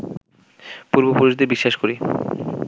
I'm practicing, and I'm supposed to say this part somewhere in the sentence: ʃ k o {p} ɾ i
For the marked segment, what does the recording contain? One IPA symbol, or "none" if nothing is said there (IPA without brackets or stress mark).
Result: none